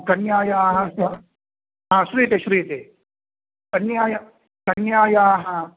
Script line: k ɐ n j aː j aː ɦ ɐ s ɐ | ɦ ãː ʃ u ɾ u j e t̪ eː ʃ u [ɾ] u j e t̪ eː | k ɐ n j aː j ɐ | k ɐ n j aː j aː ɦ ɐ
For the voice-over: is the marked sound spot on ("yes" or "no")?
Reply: yes